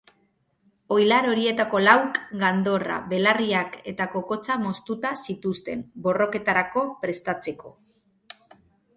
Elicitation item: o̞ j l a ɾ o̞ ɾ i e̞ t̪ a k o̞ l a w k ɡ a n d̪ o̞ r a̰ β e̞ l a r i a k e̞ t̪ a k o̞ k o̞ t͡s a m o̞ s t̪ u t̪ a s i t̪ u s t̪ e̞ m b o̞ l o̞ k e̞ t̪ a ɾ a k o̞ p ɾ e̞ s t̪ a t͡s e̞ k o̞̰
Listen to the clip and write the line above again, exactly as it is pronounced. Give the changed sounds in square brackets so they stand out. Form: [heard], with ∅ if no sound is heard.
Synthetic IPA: o̞ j l a ɾ o̞ ɾ i e̞ t̪ a k o̞ l a w k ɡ a n d̪ o̞ r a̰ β e̞ l a r i a k e̞ t̪ a k o̞ k o̞ t͡s a m o̞ s t̪ u t̪ a s i t̪ u s t̪ e̞ m b o̞ [r] o̞ k e̞ t̪ a ɾ a k o̞ p ɾ e̞ s t̪ a t͡s e̞ k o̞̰